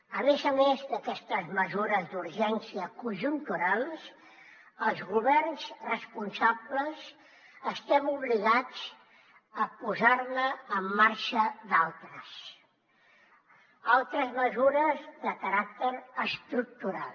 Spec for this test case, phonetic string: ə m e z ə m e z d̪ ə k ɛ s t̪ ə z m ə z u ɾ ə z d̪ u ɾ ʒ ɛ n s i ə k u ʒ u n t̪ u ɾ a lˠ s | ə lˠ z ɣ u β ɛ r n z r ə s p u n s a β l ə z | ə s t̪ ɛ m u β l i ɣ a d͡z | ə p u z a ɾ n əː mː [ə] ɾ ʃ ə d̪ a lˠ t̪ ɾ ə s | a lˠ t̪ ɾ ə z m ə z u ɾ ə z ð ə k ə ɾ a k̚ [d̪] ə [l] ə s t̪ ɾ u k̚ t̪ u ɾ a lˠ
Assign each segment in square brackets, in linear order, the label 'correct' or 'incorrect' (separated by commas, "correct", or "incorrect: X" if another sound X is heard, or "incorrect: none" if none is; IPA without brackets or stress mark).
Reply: incorrect: a, incorrect: t̪, incorrect: ɾ